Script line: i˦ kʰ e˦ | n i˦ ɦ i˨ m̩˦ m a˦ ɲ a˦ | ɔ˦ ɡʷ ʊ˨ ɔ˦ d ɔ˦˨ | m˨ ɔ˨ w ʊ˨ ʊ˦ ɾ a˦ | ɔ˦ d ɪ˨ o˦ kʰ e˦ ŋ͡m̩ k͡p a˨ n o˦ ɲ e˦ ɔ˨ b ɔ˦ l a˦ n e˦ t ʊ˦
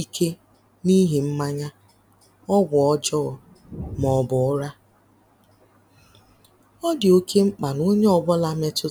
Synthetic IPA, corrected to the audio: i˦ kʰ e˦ | n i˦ ɦ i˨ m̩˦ m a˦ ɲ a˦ | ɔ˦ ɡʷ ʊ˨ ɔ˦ d͡ʒ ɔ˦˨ | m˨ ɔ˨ b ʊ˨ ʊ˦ ɾ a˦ | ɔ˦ d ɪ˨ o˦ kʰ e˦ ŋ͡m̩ k͡p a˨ n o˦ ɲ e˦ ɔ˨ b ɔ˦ l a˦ m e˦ t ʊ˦